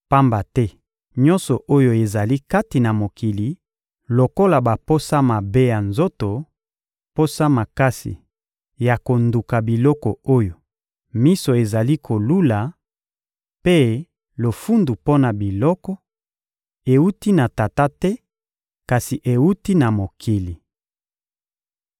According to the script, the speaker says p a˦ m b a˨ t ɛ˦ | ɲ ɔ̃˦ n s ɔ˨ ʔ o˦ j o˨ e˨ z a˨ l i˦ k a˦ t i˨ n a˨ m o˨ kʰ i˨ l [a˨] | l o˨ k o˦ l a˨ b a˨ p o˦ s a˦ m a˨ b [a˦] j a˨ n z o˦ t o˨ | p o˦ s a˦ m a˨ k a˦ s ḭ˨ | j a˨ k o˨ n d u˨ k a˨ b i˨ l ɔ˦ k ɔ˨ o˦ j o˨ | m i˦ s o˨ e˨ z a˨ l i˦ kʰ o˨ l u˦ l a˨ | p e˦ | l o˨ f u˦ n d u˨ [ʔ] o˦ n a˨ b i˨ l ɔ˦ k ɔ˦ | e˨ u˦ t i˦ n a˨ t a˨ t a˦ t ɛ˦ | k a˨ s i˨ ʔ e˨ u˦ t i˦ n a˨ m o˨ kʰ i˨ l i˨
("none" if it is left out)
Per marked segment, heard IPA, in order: i˨, e˦, p

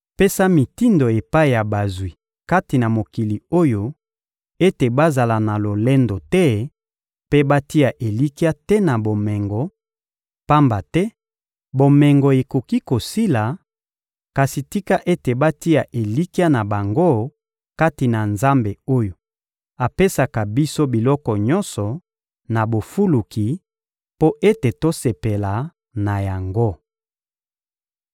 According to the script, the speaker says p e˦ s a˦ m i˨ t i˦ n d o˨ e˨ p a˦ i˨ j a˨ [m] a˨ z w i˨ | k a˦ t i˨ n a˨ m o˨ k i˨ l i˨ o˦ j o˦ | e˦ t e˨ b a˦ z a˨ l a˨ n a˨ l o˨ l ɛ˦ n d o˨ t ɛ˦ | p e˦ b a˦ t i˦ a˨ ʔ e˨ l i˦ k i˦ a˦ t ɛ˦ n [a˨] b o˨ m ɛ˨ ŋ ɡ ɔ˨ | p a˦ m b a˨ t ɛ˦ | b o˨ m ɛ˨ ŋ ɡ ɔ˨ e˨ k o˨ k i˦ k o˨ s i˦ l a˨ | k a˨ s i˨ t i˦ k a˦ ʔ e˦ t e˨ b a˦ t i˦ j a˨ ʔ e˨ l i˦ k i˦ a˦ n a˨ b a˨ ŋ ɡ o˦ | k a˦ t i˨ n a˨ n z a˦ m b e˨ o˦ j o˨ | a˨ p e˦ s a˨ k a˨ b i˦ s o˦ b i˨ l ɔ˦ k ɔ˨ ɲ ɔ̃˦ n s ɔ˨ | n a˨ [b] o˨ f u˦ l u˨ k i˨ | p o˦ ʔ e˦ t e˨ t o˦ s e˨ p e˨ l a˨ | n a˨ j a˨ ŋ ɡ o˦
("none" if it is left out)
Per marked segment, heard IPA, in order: b, a˨, b

